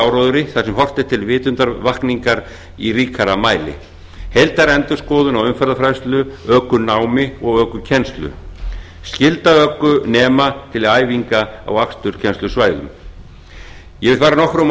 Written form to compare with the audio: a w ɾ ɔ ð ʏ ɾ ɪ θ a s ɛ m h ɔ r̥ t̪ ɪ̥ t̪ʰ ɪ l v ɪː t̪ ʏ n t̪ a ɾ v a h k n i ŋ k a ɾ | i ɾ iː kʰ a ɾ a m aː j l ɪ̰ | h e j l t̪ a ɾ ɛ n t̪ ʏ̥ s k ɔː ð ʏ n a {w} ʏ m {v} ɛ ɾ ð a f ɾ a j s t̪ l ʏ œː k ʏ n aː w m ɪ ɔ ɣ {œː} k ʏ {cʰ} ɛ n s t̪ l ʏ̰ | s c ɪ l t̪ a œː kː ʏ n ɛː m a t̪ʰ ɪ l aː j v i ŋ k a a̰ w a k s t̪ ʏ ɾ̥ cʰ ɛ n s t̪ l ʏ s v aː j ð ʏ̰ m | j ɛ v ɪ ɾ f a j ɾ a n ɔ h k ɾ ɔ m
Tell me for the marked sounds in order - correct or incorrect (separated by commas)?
correct, incorrect, correct, correct